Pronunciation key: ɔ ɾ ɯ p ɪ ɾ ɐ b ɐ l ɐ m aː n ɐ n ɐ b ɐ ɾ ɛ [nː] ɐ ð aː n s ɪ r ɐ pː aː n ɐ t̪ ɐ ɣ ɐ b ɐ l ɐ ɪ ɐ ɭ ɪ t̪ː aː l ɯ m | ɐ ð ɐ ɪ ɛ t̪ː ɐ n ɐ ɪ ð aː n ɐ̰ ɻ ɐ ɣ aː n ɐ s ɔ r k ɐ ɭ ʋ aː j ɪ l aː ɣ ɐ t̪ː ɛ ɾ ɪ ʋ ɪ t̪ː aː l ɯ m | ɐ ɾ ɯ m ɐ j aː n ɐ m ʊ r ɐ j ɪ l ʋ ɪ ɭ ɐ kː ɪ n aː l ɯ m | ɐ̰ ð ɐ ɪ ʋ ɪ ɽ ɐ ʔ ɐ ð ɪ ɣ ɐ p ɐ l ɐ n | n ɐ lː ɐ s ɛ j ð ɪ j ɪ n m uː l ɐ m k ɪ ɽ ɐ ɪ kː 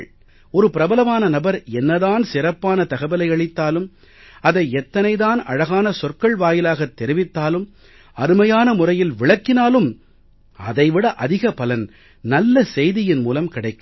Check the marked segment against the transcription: correct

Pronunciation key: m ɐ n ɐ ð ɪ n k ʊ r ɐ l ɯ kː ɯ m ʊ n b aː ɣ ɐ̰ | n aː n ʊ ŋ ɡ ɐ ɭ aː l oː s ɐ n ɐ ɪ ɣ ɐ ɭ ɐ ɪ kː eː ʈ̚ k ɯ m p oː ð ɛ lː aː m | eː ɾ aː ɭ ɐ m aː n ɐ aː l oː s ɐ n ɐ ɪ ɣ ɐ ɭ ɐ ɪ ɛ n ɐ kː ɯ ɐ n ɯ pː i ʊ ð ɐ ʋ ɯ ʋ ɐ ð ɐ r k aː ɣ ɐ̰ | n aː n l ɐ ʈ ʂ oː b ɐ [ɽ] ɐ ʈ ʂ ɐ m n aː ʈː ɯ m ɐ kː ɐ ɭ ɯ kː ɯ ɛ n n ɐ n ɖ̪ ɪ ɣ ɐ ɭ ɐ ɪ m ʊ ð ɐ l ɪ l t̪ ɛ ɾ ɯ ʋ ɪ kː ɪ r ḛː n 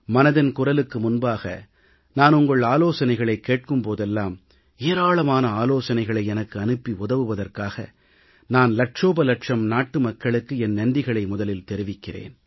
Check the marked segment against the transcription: incorrect: l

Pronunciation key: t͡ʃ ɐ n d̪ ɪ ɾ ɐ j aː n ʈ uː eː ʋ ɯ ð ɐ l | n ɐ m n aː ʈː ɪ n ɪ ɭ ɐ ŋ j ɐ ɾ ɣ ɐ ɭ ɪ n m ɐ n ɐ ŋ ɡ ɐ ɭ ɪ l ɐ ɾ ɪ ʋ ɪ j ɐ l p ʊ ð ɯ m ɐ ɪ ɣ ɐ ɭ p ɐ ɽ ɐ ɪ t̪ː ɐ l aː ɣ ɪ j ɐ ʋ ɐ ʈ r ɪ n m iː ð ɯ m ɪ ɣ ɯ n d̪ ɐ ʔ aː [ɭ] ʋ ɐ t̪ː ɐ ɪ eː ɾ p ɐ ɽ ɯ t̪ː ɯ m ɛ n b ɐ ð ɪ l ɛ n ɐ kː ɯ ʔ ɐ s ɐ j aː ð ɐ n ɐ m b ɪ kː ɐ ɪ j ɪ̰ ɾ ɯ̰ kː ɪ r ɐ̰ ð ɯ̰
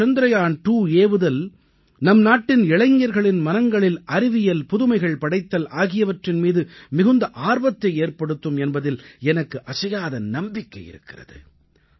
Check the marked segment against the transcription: incorrect: ɾ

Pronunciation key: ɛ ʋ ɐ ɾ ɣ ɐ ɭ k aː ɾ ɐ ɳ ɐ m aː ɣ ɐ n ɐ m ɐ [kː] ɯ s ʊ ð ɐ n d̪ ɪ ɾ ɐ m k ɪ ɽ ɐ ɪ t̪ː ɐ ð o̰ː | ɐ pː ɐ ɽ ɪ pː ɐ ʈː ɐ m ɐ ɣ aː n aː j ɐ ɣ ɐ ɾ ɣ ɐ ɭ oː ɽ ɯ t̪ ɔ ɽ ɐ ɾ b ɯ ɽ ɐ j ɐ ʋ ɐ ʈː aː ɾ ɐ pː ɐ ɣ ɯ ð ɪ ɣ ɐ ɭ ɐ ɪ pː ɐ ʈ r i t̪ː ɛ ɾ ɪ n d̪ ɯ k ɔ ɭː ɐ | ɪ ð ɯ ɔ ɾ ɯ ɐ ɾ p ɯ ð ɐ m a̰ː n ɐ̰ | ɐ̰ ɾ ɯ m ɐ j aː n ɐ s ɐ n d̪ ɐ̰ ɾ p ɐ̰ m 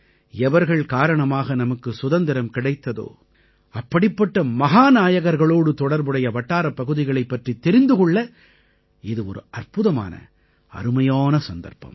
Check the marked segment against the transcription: correct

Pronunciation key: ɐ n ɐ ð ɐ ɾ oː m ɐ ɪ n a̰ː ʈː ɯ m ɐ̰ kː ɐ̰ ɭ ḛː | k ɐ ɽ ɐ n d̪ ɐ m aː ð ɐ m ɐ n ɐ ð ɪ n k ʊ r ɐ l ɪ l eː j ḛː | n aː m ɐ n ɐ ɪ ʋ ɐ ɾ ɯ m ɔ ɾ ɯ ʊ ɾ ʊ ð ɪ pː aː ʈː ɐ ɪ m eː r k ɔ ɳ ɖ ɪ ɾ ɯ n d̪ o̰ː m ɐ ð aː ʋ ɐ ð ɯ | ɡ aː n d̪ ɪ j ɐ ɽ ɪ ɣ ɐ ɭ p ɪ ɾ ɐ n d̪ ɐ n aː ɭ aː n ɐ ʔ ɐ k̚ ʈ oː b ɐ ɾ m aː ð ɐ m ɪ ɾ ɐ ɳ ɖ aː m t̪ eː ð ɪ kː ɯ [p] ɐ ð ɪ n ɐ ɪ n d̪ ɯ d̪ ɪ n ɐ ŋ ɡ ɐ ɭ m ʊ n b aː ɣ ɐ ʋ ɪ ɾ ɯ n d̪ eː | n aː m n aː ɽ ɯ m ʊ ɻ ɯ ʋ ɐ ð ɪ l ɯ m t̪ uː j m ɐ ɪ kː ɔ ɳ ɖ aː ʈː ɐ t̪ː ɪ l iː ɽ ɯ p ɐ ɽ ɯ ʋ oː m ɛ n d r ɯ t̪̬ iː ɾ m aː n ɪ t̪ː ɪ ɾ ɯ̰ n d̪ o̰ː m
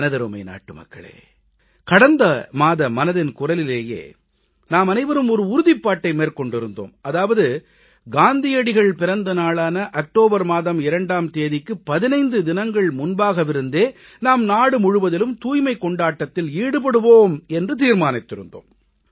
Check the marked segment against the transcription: correct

